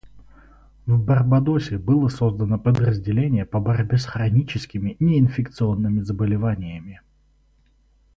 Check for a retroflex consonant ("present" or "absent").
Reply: absent